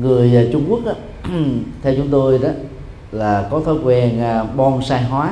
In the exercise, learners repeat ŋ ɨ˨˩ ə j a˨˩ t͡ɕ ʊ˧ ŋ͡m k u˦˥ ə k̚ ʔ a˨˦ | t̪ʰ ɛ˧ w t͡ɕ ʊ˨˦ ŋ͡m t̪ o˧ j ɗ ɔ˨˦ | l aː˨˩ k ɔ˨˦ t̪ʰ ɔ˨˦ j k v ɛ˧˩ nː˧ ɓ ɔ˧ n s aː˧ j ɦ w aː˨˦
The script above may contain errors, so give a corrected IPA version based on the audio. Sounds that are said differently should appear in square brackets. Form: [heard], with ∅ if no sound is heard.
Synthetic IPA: ŋ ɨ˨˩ ə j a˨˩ t͡ɕ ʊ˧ ŋ͡m k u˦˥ ə k̚ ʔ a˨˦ | t̪ʰ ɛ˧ w t͡ɕ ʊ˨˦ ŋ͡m t̪ o˧ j ɗ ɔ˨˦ | l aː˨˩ k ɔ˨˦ t̪ʰ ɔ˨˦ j k [w] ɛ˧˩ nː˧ ɓ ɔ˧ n s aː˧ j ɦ w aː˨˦